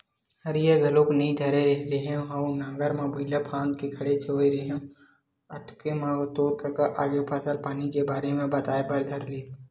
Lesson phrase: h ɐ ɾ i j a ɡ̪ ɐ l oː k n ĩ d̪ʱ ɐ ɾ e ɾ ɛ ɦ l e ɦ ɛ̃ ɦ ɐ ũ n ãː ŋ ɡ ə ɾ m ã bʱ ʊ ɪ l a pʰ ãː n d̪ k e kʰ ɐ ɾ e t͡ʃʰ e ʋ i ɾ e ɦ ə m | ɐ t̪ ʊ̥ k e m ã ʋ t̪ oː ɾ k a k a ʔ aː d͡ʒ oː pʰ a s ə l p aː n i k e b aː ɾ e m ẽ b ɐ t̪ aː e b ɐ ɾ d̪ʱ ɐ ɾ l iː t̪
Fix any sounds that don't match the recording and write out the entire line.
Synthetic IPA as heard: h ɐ ɾ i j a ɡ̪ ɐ l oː k n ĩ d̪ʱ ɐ ɾ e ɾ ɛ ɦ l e ɦ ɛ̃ ɦ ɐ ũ n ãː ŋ ɡ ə ɾ m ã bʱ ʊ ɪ l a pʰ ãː n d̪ k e kʰ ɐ ɽ e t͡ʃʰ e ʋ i ɾ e ɦ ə m | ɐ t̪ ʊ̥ k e m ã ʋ t̪ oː ɾ k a k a ʔ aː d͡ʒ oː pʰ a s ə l p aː n i k e b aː ɾ e m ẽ b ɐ t̪ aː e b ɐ ɾ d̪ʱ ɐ ɾ l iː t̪